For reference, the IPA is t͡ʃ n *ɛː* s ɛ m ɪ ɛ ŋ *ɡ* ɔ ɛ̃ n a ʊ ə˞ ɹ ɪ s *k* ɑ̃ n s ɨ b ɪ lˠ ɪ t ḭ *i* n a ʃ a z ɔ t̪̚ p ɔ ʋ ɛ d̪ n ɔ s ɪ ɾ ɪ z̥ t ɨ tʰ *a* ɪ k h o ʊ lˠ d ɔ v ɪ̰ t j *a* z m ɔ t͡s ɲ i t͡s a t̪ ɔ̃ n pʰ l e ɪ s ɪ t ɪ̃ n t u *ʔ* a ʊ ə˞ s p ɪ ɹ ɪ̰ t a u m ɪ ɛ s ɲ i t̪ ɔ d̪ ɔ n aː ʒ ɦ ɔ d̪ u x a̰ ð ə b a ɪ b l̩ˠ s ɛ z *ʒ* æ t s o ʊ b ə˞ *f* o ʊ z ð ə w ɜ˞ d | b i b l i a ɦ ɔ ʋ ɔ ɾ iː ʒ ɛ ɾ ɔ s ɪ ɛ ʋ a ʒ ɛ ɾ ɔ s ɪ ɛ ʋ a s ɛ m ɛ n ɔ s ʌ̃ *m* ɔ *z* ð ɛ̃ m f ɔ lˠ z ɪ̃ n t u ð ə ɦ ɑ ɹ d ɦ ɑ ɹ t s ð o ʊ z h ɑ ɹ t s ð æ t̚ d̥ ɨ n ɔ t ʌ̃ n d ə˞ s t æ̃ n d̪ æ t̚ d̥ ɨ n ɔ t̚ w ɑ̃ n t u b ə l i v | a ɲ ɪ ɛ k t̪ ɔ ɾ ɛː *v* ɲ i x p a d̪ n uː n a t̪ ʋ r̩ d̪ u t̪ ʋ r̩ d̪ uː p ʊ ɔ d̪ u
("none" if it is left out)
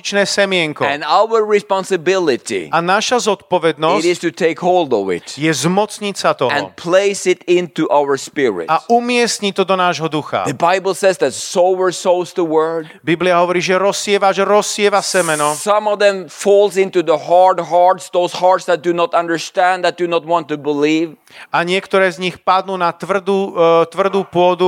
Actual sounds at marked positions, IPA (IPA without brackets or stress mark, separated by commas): ɛː, k, p, a, e, ɛ, ʔ, ð, s, m, v, z